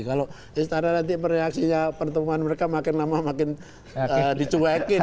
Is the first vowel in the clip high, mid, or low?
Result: low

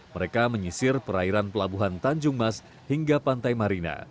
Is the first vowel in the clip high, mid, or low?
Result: mid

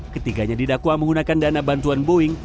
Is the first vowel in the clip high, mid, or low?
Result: mid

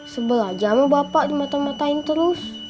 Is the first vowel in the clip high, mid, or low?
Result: mid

